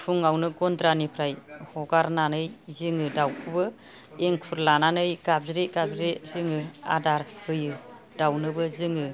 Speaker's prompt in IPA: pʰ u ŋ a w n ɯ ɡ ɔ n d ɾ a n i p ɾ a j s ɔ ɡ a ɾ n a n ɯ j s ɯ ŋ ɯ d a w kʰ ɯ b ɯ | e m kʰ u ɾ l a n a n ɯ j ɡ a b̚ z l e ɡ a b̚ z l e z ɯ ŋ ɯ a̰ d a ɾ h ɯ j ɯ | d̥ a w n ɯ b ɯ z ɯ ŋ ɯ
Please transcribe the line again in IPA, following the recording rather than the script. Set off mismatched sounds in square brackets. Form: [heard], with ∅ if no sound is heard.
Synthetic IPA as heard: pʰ u ŋ a w n ɯ ɡ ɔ n d ɾ a n i [pʰ] ɾ a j [h] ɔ ɡ a ɾ n a n ɯ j [z] ɯ ŋ ɯ d a w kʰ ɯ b ɯ | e [ŋ] kʰ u ɾ l a n a n ɯ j ɡ a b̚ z [ɾ] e ɡ a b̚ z [ɾ] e z ɯ ŋ ɯ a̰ d a ɾ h ɯ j ɯ | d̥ a w n ɯ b ɯ z ɯ ŋ ɯ